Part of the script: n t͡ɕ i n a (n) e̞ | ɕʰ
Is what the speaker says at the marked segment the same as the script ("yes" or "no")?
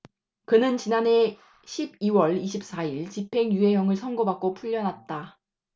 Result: yes